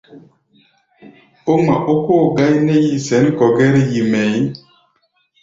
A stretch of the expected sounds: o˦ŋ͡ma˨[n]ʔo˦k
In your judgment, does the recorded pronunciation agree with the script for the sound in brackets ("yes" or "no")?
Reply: no